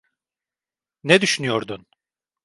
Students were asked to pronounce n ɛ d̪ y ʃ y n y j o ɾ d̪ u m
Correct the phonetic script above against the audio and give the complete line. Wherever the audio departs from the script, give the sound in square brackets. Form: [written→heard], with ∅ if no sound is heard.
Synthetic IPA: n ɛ d̪ y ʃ y n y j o ɾ d̪ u [m→n]